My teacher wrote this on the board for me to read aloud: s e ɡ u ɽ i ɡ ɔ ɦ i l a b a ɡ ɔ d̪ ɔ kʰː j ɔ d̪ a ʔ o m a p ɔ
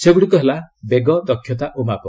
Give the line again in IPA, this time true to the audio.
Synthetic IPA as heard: s e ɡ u ɽ i k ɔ ɦ e l a b e ɡ ɔ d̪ ɔ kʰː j ɔ t̪ a ʔ o m a p ɔ

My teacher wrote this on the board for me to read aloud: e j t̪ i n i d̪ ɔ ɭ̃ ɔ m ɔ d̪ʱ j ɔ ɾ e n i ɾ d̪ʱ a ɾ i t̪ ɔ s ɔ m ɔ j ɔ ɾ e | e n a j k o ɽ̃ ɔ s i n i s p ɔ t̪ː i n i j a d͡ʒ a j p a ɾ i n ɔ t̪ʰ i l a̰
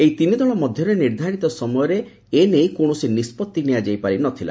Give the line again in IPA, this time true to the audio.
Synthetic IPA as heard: e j t̪ i n i d̪ ɔ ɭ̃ ɔ m ɔ d̪ʱ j ɔ ɾ e n i ɾ d̪ʱ a ɾ i t̪ ɔ s ɔ m ɔ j ɔ ɾ e | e n e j k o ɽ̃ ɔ s i n i s p ɔ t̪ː i n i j a d͡ʒ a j p a ɾ i n ɔ t̪ʰ i l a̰

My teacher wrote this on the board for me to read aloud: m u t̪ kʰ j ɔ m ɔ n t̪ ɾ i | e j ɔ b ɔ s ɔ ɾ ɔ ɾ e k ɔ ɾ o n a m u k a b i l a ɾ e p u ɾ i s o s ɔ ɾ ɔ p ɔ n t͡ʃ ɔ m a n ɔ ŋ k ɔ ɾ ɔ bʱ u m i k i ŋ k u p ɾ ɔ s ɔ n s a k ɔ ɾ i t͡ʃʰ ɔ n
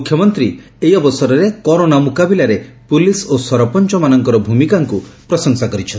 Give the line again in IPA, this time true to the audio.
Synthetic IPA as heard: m u kʰ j ɔ m ɔ n t̪ ɾ i | e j ɔ b ɔ s ɔ ɾ ɔ ɾ e k ɔ ɾ o n a m u k a b i l a ɾ e p u l i s o s ɔ ɾ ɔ p ɔ n t͡ʃ ɔ m a n ɔ ŋ k ɔ ɾ ɔ bʱ u m i k a ŋ k u p ɾ ɔ s ɔ ŋ s a k ɔ ɾ i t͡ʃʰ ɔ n

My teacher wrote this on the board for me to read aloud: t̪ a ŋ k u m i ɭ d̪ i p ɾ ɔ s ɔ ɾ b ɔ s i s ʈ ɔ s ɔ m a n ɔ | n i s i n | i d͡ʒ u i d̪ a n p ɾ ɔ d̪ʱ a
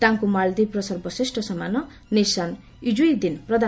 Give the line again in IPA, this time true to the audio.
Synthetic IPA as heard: t̪ a ŋ k u m a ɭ d̪ i p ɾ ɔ s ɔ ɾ b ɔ s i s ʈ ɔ s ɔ m a n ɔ | n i s a n | i d͡ʒ u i d̪ i n p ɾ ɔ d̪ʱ a

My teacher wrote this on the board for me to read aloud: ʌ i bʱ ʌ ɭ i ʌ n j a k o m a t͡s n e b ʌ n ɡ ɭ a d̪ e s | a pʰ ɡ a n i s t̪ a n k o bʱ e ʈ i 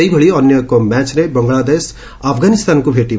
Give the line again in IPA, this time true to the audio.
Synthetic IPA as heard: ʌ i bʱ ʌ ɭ i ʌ n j ʌ k o m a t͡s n e b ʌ ŋ ɡ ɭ a d̪ e s | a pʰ ɡ a n i s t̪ a n k o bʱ e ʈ i

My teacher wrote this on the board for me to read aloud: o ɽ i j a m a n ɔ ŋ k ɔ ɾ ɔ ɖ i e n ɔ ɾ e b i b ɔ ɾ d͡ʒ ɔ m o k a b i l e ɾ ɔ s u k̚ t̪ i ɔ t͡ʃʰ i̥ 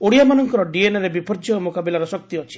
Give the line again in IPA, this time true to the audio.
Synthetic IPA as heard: o ɽ i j a m a n ɔ ŋ k ɔ ɾ ɔ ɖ i e n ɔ ɾ e b i p ɔ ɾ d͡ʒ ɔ m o k a b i l a ɾ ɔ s ɔ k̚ t̪ i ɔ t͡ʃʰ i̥

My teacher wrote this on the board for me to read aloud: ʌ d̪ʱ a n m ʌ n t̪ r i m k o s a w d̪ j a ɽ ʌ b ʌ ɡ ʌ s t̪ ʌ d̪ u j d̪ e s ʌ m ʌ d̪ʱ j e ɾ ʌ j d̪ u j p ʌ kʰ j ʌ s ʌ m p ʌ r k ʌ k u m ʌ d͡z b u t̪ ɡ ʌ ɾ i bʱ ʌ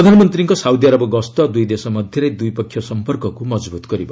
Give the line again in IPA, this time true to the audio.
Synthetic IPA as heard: ʌ d̪ʱ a n m ʌ n t̪ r i ŋ k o s a w d̪ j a ɾ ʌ b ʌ ɡ ʌ s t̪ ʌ d̪ u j d̪ e s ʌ m ʌ d̪ʱ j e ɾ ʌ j d̪ u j p ʌ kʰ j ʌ s ʌ m p ʌ r k ʌ k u m ʌ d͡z b u t̪ ɡ ʌ ɾ i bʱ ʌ

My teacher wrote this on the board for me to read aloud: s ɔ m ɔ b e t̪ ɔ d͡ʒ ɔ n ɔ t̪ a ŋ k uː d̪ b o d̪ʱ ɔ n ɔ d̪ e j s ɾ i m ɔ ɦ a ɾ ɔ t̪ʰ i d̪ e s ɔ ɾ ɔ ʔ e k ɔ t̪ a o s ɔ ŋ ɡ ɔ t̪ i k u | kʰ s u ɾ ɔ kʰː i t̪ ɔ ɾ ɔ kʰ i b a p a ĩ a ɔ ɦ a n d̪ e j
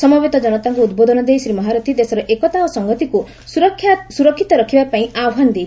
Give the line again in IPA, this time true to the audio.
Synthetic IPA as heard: s ɔ m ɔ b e t̪ ɔ d͡ʒ ɔ n ɔ t̪ a ŋ k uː d̪ b o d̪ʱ ɔ n ɔ d̪ e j s ɾ i m ɔ ɦ a ɾ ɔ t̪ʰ i d̪ e s ɔ ɾ ɔ ʔ e k ɔ t̪ a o s ɔ ŋ ɡ ɔ t̪ i k u | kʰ s u ɾ ɔ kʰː i t̪ ɔ ɾ ɔ kʰ i b a p a ĩ a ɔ ɦ a n d̪ e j

